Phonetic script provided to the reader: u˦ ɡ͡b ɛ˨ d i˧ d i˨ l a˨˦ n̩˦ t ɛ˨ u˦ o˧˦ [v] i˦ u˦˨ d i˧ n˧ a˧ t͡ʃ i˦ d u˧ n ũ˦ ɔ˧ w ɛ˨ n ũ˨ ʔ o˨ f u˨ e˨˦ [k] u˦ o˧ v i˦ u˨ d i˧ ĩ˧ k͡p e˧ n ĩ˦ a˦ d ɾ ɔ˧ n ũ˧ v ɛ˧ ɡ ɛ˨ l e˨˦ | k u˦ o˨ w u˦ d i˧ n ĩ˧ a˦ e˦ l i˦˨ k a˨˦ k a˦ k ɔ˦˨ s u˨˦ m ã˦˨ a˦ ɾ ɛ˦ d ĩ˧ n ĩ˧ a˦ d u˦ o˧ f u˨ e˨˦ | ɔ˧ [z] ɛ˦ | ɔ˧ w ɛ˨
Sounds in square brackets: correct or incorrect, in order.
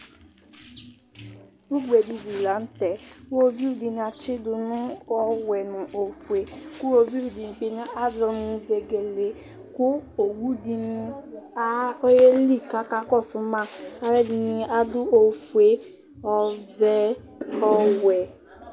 correct, correct, incorrect: v

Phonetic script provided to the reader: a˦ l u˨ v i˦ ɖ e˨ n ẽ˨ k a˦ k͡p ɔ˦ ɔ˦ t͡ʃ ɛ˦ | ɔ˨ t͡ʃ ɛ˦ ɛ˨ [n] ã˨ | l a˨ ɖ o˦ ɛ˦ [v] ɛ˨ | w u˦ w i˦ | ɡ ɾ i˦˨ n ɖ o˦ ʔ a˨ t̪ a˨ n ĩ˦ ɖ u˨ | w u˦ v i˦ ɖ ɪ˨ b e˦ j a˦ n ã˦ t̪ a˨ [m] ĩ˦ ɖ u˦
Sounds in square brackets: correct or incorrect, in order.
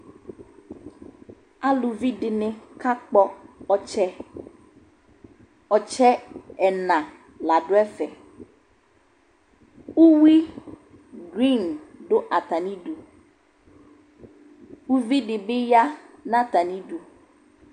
correct, incorrect: f, incorrect: n

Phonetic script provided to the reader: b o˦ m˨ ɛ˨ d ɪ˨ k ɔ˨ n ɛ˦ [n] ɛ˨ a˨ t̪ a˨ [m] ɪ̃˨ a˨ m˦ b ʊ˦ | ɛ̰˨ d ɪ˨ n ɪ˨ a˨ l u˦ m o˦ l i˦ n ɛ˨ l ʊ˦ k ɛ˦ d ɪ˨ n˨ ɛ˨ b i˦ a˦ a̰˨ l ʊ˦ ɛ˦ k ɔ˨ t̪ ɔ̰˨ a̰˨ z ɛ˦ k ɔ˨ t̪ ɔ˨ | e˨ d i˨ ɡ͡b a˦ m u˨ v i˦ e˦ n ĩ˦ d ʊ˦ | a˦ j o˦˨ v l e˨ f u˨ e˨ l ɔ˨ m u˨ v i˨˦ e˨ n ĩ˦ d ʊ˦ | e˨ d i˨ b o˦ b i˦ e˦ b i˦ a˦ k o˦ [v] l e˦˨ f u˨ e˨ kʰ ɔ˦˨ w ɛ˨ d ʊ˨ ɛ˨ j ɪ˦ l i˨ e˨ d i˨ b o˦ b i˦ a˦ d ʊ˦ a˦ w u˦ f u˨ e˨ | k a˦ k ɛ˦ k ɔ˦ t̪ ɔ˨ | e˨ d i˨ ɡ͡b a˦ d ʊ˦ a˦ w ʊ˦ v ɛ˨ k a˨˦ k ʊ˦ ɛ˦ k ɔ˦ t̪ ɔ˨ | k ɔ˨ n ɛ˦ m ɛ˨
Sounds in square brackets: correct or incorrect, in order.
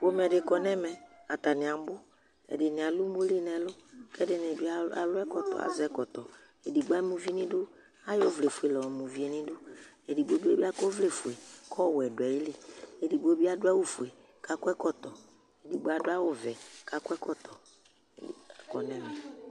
incorrect: m, incorrect: n, correct

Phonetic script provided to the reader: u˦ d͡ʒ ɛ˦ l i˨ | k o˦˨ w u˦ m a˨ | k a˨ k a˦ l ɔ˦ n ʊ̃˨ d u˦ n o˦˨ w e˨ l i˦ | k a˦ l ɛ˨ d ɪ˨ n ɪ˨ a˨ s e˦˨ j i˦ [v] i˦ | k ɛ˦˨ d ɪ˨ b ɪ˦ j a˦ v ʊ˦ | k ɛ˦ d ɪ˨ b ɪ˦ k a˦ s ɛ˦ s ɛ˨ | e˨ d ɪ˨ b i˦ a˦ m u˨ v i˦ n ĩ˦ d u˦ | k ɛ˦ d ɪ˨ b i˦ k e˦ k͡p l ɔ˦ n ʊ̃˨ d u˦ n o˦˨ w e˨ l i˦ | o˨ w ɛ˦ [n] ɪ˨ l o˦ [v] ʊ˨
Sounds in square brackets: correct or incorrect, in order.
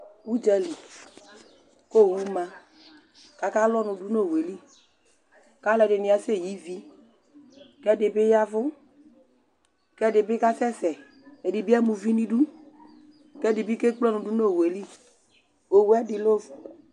correct, incorrect: d, correct

